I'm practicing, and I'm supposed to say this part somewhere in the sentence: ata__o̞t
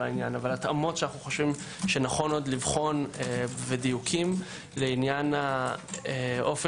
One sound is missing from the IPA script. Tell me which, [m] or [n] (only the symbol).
m